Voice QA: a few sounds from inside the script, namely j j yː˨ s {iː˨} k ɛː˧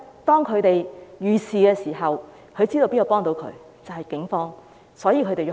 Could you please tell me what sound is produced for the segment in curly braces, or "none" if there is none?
iː˨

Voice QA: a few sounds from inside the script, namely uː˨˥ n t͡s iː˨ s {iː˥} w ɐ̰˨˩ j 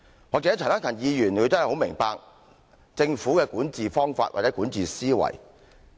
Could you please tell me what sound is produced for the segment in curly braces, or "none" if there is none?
iː˥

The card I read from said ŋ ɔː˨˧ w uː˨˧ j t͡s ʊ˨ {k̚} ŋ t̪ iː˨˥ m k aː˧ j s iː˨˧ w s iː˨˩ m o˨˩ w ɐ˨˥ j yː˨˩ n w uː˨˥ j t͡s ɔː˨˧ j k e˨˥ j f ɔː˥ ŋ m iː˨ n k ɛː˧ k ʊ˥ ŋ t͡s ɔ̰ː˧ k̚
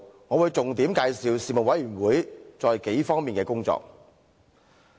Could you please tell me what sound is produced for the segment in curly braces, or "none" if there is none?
none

